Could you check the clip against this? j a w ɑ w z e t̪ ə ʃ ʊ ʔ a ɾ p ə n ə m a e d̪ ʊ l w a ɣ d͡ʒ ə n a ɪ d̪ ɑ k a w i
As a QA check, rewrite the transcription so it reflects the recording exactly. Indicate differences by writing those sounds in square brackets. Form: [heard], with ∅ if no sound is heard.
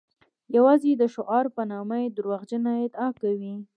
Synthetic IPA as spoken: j a w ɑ [∅] z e [d̪] ə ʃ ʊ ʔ [ɑ] ɾ p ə n [ɑ] m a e d̪ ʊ [ɾ] w a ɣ d͡ʒ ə n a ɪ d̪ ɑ k a w i